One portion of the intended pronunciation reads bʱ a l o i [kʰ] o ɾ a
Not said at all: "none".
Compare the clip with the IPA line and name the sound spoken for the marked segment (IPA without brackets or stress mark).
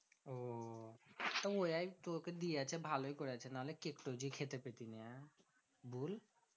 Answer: k